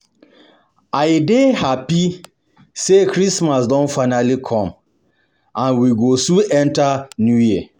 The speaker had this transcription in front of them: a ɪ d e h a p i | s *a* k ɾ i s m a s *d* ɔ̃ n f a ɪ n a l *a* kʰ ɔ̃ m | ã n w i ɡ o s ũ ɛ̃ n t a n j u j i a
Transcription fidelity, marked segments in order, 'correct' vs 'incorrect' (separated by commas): incorrect, correct, incorrect